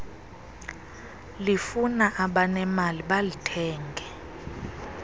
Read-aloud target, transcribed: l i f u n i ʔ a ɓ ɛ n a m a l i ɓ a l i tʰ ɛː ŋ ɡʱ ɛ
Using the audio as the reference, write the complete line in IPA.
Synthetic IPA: l i f u n a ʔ a ɓ a n ɛ m a l i ɓ a l i tʰ ɛː ŋ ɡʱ ɛ